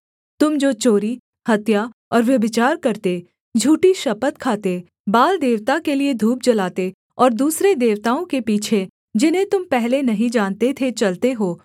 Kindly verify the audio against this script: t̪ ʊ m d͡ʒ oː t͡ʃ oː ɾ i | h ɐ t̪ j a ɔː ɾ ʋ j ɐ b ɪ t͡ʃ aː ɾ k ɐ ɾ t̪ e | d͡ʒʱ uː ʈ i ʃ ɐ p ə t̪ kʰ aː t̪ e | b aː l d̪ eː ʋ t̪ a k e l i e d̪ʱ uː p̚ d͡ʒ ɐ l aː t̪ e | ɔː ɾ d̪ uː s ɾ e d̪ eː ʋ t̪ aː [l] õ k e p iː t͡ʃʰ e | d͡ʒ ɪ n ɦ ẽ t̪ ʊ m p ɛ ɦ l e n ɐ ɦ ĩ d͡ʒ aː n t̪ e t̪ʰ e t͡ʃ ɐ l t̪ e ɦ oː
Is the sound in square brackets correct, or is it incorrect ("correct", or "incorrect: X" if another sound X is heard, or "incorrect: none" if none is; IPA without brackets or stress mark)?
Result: incorrect: none